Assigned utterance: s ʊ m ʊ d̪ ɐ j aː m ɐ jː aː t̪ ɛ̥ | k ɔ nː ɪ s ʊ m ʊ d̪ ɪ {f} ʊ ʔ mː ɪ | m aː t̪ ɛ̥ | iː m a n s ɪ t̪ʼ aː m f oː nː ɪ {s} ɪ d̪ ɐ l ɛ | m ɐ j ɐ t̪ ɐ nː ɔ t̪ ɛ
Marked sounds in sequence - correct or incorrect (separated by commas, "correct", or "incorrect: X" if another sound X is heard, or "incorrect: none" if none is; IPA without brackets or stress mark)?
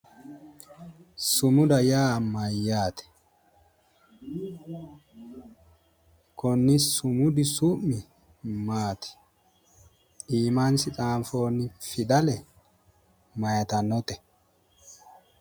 incorrect: s, incorrect: f